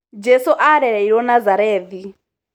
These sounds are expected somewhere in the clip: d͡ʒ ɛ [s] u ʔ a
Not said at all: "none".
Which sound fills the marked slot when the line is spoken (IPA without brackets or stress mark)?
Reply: s